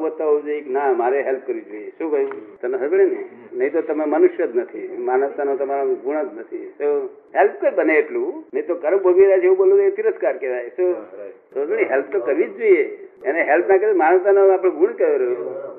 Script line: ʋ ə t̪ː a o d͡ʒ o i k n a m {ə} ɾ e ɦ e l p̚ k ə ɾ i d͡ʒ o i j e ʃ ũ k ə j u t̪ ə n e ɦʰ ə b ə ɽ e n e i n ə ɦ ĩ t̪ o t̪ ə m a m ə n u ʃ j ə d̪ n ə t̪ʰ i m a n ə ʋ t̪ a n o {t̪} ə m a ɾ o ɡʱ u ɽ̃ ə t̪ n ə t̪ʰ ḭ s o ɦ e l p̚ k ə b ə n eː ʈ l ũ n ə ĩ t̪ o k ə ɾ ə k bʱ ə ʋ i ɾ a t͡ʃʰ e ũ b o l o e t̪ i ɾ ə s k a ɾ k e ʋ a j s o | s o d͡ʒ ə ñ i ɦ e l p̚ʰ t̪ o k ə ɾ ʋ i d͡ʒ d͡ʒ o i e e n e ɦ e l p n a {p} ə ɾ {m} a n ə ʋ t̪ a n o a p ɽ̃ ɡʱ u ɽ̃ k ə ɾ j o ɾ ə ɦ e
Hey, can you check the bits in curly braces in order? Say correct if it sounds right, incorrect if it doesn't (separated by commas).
incorrect, correct, incorrect, correct